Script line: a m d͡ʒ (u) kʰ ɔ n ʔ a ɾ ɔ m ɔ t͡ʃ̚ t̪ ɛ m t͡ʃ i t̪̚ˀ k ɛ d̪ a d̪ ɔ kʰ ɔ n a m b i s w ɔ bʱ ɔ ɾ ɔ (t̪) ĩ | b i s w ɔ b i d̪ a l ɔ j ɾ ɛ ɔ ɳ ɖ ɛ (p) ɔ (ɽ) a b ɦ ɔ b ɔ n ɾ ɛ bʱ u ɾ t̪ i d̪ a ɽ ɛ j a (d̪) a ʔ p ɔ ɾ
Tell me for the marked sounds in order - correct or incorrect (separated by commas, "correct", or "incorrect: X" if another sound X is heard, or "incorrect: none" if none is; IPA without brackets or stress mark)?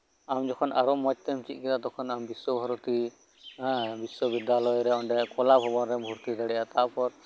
incorrect: ɔ, correct, incorrect: k, incorrect: l, incorrect: t̪